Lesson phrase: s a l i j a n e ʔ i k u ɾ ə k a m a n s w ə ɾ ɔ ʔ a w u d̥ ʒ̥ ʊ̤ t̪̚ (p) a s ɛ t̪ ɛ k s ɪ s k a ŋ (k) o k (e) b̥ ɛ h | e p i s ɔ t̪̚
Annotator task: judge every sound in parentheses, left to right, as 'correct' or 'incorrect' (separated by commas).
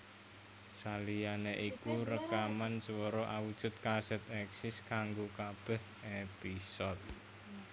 incorrect, incorrect, incorrect